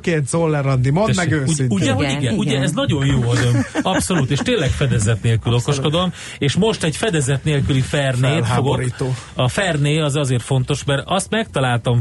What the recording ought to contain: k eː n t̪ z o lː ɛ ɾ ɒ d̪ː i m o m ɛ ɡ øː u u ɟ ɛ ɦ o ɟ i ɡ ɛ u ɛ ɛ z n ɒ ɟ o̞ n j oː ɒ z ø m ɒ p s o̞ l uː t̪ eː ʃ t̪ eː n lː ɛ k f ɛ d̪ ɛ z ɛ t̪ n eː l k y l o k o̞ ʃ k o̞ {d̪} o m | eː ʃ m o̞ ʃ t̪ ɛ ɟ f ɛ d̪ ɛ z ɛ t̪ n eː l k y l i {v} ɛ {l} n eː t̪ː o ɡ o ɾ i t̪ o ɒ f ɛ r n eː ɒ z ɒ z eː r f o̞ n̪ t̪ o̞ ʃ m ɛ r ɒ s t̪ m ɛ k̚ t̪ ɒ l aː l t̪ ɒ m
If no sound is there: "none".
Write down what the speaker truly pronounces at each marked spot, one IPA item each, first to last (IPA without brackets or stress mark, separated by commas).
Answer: d̪, f, r